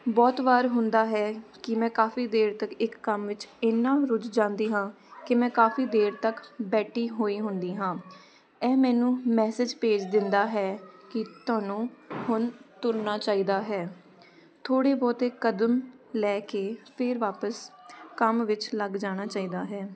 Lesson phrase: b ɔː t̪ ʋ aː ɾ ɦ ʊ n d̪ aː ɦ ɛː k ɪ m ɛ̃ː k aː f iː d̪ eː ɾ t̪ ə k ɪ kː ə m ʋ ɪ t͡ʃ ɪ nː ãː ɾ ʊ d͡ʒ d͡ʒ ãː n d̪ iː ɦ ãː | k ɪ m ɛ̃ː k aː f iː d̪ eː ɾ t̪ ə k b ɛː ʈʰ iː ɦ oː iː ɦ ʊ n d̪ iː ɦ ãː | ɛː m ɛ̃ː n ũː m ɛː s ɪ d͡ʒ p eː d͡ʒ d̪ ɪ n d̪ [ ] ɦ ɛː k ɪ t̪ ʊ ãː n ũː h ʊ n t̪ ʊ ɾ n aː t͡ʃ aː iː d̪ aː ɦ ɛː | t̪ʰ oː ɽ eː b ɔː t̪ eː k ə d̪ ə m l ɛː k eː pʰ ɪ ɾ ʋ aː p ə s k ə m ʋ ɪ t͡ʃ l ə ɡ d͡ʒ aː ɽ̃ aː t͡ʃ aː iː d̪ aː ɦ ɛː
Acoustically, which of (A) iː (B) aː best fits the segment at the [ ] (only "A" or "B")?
B